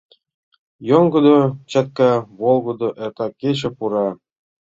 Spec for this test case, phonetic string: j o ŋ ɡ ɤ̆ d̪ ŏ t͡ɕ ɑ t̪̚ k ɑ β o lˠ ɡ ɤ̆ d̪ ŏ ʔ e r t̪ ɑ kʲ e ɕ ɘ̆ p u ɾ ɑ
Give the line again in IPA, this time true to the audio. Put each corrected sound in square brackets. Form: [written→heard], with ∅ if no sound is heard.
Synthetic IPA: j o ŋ ɡ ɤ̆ d̪ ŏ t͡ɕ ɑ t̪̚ k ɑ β o lˠ ɡ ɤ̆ d̪ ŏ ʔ e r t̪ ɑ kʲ e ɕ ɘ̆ p u ɾ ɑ